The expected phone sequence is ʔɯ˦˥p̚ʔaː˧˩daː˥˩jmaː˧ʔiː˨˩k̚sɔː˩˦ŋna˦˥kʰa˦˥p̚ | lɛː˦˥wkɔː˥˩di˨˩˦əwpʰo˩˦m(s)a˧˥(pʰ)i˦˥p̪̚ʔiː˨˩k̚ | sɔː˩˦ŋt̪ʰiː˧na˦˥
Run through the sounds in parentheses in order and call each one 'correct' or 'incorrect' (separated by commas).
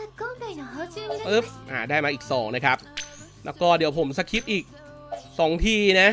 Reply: correct, incorrect